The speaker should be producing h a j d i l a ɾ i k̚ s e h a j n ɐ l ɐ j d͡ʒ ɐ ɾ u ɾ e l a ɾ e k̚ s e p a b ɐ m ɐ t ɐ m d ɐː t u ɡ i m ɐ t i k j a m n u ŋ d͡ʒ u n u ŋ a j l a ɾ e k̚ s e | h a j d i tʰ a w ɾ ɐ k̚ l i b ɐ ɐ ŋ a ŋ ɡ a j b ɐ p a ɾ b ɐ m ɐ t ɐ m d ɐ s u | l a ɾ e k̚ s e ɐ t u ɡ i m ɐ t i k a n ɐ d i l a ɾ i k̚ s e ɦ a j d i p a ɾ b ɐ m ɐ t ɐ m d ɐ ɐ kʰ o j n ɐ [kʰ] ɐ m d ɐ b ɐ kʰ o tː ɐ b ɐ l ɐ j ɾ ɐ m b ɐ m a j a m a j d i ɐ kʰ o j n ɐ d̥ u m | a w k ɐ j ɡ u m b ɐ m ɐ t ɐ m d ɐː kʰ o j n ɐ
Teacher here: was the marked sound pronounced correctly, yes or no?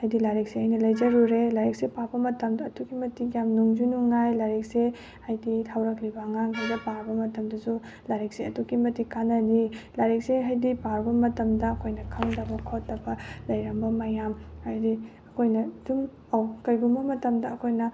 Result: yes